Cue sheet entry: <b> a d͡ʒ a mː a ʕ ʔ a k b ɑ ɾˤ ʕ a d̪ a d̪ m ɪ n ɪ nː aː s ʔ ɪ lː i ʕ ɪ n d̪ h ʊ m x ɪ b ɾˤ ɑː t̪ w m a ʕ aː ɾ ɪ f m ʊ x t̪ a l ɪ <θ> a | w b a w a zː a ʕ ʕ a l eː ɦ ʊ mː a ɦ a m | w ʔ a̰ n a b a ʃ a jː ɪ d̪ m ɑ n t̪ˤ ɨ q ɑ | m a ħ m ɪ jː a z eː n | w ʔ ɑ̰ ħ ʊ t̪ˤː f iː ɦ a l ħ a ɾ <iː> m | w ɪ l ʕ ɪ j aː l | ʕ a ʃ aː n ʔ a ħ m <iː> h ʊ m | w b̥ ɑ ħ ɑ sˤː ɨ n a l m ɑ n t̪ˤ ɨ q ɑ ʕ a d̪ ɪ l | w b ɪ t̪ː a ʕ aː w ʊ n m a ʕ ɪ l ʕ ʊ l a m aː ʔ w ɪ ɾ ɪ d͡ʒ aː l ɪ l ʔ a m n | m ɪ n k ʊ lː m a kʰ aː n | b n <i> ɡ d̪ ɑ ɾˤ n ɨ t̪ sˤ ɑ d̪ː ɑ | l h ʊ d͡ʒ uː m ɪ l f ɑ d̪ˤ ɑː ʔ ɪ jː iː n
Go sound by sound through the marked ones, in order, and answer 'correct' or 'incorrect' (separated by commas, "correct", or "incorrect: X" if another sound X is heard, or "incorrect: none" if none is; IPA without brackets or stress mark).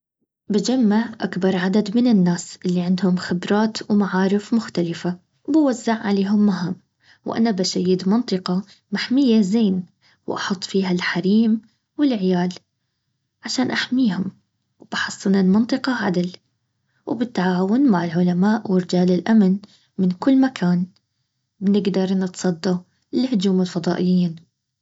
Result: correct, incorrect: f, correct, correct, incorrect: ɪ